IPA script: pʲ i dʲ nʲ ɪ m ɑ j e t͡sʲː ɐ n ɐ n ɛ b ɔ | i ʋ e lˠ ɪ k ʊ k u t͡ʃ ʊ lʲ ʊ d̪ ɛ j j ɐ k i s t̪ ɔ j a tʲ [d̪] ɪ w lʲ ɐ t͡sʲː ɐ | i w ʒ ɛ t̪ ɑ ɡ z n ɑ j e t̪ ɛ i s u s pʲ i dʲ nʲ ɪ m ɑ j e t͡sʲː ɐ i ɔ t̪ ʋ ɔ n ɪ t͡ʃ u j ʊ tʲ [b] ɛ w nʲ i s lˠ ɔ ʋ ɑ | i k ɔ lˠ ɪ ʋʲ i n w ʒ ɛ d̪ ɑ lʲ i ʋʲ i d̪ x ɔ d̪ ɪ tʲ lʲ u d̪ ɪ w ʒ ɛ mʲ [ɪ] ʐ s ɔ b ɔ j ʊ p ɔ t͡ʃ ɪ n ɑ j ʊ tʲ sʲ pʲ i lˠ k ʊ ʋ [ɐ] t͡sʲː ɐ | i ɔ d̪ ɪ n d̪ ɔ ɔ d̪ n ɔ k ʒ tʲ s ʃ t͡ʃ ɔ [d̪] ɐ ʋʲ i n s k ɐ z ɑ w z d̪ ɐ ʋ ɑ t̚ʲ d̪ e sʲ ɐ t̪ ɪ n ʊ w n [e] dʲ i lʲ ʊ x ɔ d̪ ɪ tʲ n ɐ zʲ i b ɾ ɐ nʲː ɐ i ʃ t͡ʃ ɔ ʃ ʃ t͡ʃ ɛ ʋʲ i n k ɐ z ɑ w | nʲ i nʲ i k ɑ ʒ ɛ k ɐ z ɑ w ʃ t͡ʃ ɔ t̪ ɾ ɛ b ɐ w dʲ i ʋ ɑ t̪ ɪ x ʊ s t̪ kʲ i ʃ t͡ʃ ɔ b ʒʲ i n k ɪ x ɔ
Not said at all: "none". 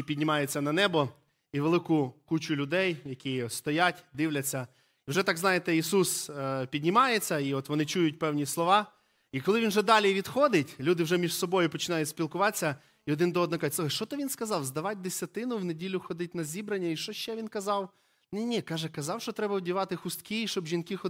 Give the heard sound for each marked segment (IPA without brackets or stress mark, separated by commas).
d̪, p, i, ɑ, t̪, e